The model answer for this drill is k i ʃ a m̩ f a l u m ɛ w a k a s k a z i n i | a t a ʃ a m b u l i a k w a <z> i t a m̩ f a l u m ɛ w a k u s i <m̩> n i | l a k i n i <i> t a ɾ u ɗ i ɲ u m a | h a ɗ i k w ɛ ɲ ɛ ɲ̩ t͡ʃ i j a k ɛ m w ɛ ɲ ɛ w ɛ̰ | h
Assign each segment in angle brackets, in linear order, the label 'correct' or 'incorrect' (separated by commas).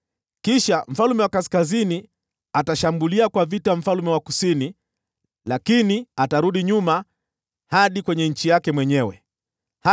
incorrect, incorrect, incorrect